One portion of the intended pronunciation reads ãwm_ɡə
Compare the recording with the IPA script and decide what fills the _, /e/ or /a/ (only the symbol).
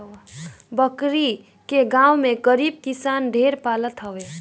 e